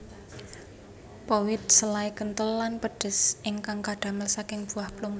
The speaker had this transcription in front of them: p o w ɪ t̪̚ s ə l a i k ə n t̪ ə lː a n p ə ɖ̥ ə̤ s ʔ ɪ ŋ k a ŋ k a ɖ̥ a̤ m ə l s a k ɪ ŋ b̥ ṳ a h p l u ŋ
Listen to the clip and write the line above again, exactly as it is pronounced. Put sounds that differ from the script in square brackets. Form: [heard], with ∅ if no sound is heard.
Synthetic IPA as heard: p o w ɪ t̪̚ s ə l a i k ə n t̪ ə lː a n p ə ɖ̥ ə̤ s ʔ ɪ ŋ k a ŋ k a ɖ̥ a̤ m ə l s a k ɪ ŋ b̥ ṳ a h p l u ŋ

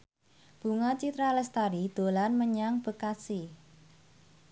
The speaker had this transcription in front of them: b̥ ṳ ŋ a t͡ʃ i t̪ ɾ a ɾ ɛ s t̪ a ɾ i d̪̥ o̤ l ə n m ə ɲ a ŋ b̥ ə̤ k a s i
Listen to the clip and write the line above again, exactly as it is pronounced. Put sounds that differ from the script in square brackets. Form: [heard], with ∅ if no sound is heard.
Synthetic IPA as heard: b̥ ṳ ŋ a t͡ʃ i t̪ ɾ a [l] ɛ s t̪ a ɾ i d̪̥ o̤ l [a] n m ə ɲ a ŋ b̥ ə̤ k a s i

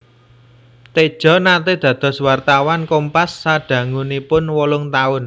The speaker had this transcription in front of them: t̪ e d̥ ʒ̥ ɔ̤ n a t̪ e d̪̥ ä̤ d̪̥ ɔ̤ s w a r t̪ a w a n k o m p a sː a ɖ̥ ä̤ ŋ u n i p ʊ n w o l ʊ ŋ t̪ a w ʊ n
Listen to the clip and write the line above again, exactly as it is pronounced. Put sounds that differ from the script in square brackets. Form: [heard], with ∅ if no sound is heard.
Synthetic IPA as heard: t̪ e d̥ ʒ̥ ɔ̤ n a t̪ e d̪̥ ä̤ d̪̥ ɔ̤ s w a r t̪ a w a n k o m p a sː a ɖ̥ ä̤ ŋ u n i p ʊ n w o l ʊ ŋ t̪ a [∅] ʊ n

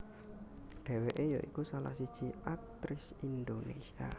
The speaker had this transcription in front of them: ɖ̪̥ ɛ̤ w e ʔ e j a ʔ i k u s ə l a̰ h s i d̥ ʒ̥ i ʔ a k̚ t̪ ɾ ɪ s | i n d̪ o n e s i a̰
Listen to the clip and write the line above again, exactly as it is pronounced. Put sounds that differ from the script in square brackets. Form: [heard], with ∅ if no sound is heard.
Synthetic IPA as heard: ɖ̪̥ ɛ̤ w e ʔ e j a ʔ i k u s [a] l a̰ h s i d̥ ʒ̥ i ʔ a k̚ t̪ ɾ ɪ s | i n d̪ o n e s i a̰

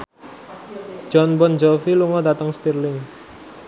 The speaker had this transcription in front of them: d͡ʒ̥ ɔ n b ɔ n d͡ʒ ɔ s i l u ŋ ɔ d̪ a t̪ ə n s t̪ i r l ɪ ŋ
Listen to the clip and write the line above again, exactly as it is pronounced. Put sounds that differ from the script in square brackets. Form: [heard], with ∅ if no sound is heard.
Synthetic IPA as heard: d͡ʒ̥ ɔ n b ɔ n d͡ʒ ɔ [f] i l u ŋ ɔ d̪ a t̪ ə [ŋ] s t̪ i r l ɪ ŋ

